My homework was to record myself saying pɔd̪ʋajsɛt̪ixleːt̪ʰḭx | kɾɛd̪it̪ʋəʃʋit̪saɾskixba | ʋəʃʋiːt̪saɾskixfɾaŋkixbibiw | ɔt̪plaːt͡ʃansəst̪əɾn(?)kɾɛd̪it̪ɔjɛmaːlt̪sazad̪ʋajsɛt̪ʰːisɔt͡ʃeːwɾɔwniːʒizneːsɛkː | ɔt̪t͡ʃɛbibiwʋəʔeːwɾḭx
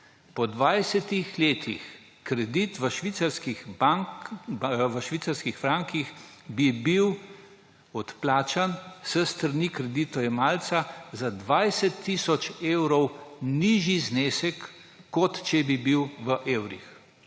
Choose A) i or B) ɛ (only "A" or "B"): A